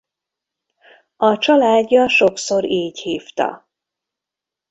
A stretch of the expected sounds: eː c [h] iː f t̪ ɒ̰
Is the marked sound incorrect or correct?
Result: correct